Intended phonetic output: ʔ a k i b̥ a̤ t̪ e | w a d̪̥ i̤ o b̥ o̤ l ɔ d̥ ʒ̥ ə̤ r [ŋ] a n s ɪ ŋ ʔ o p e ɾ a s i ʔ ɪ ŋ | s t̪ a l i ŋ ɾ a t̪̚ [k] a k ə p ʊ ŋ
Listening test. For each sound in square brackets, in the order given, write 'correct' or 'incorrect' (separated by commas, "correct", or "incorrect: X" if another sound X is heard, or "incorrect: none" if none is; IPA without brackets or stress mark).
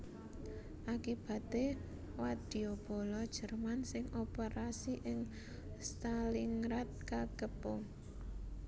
incorrect: m, correct